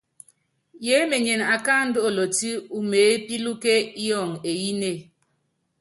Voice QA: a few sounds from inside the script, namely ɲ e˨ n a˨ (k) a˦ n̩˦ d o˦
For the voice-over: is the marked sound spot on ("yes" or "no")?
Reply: yes